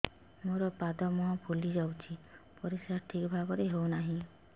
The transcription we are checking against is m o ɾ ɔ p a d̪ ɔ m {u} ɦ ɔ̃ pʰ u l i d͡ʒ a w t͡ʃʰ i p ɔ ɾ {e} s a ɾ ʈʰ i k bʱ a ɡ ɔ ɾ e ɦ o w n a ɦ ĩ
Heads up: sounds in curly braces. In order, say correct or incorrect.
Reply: incorrect: ɔ, incorrect: i

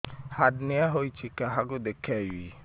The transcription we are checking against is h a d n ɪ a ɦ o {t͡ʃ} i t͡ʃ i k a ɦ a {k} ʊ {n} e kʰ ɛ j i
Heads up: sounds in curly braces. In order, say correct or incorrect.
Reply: incorrect: none, incorrect: ɡ, incorrect: d

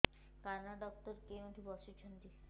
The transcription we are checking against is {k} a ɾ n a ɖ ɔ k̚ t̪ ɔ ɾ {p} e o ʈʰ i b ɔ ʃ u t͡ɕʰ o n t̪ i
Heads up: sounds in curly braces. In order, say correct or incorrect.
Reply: correct, incorrect: k

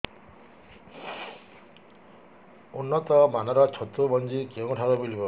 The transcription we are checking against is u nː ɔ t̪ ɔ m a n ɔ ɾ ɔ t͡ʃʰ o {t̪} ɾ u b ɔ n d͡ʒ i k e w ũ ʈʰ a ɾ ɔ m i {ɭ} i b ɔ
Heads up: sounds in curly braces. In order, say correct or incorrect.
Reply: correct, incorrect: l

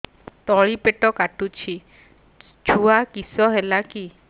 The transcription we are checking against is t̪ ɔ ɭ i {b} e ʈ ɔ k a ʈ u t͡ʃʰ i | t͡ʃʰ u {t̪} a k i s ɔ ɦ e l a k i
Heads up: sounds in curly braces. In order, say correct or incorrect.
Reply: incorrect: p, incorrect: none

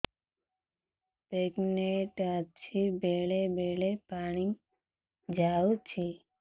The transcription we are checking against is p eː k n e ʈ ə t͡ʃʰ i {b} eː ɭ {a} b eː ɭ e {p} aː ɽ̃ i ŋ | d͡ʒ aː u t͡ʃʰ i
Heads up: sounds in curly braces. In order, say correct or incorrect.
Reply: correct, incorrect: e, correct

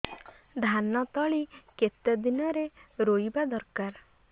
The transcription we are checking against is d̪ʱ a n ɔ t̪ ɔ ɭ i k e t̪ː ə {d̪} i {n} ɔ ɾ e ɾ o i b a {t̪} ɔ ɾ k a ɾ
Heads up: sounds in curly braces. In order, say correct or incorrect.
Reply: correct, correct, incorrect: d̪

